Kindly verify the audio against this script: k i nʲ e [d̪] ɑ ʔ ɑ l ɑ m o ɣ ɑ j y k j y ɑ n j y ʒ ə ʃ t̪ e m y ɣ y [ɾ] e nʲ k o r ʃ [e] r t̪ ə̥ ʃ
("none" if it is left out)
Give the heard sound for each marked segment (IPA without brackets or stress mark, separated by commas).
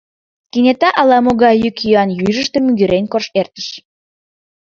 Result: t̪, ɾ, e